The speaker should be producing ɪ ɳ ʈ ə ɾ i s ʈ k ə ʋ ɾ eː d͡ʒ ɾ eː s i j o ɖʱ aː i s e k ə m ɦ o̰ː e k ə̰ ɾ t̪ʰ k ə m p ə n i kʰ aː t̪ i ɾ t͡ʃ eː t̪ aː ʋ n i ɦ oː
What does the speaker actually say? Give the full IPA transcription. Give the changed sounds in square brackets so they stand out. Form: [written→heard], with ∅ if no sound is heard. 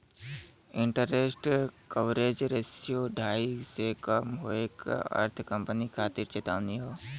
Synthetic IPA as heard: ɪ ɳ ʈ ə ɾ [i→e] s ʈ k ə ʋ ɾ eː d͡ʒ ɾ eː s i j o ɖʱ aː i s e k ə m ɦ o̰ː e k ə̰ ɾ t̪ʰ k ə m p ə n i kʰ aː t̪ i ɾ t͡ʃ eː t̪ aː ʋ n i ɦ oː